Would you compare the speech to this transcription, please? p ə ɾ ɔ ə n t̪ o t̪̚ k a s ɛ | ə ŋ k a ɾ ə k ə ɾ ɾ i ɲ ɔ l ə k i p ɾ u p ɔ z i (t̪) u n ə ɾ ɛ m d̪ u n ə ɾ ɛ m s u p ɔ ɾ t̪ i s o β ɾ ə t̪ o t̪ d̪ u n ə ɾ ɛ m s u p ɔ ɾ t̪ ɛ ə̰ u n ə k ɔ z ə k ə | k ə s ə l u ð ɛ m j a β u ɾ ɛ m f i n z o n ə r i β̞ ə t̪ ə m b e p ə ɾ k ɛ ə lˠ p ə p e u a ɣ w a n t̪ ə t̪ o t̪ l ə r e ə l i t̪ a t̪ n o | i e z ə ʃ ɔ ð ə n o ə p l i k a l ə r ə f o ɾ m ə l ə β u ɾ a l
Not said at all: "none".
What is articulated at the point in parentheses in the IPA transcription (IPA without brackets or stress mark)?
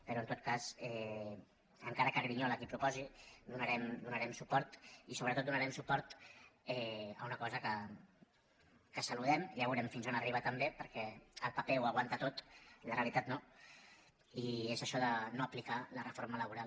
d̪